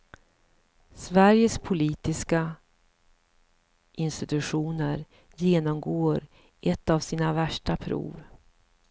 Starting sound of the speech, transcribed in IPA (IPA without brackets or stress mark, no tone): s